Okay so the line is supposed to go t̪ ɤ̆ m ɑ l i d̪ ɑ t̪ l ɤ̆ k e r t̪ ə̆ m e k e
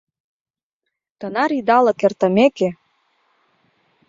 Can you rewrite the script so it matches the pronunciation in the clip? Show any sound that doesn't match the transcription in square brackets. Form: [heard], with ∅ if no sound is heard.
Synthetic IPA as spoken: t̪ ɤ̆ [n] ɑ [ɾ] i d̪ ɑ [∅] l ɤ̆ k e r t̪ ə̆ m e k e